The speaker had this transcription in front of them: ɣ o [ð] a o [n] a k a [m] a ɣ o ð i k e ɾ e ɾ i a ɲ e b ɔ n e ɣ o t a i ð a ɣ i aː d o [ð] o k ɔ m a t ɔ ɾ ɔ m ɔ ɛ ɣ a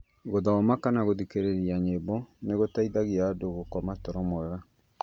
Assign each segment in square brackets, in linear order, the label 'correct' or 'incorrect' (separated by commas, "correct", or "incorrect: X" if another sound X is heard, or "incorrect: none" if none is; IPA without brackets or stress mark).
correct, incorrect: m, incorrect: n, incorrect: ɣ